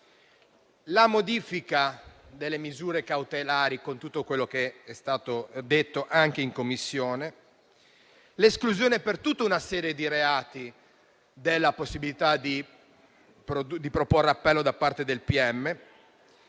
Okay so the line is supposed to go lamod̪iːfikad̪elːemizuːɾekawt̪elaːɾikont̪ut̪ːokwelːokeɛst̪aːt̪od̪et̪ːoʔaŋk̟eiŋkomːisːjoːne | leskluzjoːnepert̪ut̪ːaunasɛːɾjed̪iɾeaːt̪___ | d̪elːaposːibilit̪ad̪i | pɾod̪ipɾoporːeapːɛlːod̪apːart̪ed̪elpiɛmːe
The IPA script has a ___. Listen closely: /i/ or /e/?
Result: i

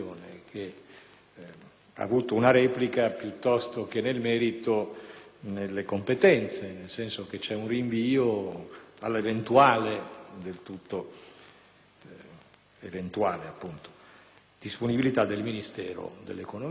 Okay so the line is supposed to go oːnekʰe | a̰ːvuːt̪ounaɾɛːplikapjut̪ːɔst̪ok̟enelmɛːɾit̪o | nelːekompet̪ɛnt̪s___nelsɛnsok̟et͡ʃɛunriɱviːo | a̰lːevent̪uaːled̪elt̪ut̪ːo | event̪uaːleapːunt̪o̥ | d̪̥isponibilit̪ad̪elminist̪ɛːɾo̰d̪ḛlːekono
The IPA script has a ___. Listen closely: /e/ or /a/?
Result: e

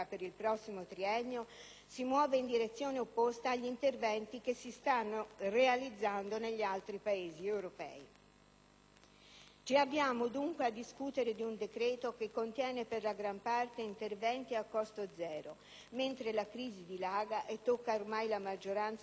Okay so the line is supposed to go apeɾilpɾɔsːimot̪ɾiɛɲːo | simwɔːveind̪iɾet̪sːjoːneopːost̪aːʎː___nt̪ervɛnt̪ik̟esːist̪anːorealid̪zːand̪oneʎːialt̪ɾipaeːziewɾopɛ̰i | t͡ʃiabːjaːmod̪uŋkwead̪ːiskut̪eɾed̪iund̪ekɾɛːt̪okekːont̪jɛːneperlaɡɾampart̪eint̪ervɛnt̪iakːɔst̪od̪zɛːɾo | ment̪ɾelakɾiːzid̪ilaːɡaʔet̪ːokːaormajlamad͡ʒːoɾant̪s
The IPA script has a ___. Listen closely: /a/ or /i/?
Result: i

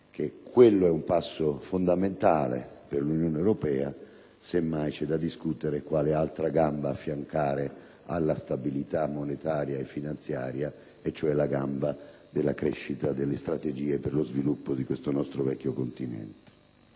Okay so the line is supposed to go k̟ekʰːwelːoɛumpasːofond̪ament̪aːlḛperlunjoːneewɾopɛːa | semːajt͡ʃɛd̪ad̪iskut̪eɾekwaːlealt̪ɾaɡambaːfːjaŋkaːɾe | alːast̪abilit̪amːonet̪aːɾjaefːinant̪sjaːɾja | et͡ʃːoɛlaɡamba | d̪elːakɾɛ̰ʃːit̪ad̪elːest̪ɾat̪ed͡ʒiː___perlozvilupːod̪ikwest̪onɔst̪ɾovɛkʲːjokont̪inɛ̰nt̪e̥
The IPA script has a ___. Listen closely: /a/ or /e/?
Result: e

